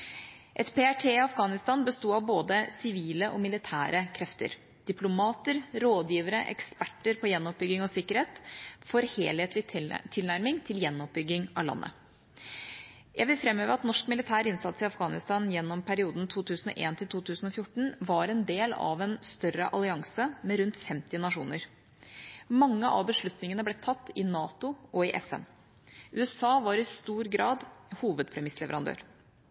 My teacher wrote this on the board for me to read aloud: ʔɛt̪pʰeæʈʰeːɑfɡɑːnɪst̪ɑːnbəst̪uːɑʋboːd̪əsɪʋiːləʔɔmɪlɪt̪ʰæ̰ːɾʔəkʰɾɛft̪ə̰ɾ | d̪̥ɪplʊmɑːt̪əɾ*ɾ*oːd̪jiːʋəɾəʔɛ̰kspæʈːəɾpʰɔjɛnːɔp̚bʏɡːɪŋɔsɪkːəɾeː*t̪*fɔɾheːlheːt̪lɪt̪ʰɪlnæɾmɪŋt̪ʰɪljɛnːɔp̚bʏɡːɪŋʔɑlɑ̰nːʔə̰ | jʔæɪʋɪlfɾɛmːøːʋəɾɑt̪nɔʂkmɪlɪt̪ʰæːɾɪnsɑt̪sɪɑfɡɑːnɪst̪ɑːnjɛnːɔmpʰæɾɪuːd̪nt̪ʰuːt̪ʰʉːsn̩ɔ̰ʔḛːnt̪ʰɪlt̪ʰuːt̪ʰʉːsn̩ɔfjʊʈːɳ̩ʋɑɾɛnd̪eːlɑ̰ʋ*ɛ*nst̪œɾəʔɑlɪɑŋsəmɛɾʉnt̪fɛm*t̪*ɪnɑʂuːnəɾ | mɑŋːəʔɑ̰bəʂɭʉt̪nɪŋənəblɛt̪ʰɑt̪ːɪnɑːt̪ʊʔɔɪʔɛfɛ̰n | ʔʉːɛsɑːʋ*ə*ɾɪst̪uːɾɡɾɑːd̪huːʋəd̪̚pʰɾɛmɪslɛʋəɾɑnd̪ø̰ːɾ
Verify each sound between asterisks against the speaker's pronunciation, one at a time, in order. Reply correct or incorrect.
correct, correct, correct, correct, incorrect: ɑ

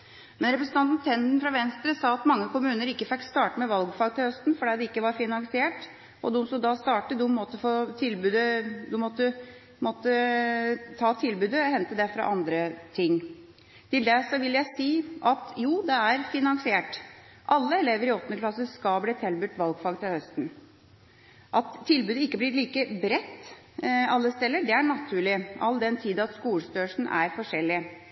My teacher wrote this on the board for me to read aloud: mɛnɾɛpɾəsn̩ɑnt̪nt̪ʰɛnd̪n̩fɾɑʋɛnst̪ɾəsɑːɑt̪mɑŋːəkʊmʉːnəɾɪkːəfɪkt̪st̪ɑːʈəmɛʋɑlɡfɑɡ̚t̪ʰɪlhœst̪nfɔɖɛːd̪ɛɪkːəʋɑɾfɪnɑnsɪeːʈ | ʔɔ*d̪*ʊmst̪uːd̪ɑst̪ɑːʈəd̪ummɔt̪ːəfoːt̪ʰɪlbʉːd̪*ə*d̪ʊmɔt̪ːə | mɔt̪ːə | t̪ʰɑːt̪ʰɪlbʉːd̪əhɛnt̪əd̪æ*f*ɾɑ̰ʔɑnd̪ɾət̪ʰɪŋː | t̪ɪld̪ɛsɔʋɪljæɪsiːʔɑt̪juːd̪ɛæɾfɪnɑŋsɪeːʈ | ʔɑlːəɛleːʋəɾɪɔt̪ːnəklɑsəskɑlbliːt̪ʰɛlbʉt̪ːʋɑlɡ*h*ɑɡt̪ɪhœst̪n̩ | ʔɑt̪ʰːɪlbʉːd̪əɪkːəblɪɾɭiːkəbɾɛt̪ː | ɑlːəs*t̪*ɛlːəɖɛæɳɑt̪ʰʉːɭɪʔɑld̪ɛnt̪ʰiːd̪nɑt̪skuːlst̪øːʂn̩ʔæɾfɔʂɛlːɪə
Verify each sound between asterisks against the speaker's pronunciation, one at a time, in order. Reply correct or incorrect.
correct, correct, correct, incorrect: f, correct

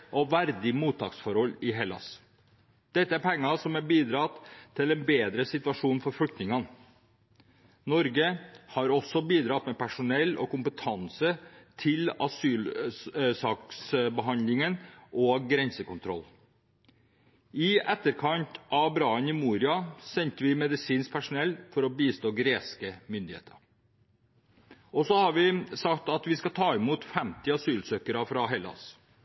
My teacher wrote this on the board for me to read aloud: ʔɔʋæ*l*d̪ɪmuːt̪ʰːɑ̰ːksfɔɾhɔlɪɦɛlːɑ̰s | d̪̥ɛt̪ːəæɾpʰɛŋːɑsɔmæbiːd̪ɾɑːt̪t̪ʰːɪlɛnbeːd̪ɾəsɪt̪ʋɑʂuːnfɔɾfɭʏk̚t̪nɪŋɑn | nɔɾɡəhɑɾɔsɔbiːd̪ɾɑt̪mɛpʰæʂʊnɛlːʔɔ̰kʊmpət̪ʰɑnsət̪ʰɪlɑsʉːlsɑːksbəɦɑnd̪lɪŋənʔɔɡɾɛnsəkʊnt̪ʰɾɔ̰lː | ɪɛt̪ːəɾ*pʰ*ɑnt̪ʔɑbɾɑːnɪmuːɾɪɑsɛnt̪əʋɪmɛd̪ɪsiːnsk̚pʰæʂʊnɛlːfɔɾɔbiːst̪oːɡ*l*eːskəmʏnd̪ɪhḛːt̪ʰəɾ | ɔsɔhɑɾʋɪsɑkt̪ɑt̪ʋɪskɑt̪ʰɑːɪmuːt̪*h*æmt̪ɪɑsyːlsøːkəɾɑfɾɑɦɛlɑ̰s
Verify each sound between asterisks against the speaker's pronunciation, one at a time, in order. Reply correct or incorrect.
incorrect: ɾ, incorrect: kʰ, incorrect: ɾ, incorrect: f

